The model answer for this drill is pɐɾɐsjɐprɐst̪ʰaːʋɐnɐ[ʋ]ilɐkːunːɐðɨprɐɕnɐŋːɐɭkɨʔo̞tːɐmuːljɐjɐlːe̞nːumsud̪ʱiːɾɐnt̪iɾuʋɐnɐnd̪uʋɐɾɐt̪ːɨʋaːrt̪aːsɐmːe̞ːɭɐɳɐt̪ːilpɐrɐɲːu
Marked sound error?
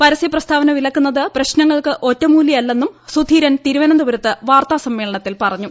no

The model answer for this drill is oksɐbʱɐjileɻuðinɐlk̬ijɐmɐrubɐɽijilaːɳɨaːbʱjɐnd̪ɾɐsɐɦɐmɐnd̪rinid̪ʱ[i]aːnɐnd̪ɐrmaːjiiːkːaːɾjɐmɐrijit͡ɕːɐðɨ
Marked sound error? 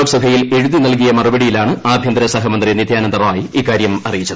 yes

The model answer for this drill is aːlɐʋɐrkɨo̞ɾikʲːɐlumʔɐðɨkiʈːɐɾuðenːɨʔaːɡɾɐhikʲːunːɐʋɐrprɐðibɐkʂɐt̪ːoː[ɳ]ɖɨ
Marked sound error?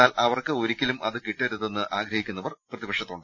no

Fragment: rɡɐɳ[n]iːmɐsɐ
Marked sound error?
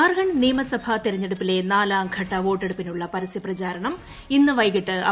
no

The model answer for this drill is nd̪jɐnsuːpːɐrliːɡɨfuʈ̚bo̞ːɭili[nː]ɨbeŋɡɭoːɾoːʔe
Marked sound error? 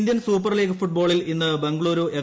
no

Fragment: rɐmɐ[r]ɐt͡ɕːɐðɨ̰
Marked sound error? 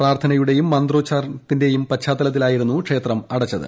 yes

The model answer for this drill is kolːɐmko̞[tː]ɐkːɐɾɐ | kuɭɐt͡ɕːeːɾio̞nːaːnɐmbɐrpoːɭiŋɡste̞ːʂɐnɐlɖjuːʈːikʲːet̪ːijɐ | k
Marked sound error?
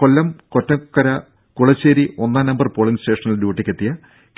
no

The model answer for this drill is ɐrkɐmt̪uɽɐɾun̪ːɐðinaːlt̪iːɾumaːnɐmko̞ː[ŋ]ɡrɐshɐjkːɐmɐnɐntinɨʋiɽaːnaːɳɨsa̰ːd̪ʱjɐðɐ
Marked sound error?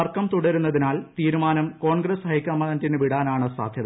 yes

